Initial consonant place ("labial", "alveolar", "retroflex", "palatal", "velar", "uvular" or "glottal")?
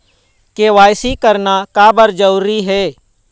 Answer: velar